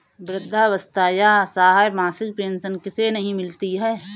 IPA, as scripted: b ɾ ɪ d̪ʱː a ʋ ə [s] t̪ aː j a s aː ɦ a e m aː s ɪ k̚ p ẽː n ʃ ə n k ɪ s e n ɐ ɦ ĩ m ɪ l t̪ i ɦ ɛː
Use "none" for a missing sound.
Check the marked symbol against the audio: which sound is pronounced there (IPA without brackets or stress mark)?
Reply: s